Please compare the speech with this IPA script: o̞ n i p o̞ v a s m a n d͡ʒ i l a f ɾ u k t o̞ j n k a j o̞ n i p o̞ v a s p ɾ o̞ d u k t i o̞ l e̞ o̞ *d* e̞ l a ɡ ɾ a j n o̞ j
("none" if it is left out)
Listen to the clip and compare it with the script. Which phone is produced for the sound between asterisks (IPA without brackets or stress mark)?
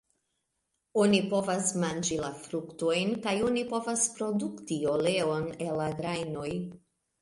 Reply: n